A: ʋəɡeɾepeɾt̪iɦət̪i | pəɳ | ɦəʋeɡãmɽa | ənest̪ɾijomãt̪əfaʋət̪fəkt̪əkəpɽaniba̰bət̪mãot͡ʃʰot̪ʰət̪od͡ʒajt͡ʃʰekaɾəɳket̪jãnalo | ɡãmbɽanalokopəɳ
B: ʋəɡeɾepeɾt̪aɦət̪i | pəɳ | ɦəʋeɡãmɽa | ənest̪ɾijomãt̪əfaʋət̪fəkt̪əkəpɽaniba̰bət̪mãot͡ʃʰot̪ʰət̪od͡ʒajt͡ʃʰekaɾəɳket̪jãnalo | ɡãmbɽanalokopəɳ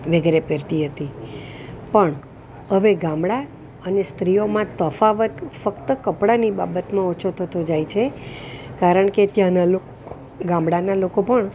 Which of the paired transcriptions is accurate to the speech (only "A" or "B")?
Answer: A